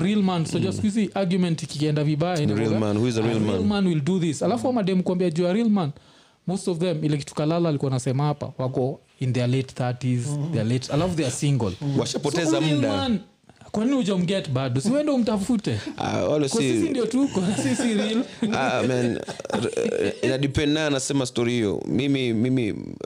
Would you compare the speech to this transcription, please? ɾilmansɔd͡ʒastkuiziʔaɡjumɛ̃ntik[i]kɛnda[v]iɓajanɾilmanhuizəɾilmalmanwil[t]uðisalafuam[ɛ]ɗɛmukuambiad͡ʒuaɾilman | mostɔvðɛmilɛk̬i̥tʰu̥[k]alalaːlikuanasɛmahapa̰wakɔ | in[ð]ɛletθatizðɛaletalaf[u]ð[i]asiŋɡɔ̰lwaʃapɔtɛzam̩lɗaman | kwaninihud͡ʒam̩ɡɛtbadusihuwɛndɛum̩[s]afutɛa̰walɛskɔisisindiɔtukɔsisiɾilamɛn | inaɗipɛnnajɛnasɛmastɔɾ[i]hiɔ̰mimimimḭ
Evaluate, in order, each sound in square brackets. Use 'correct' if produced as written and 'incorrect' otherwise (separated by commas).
correct, correct, incorrect, incorrect, correct, correct, correct, incorrect, incorrect, correct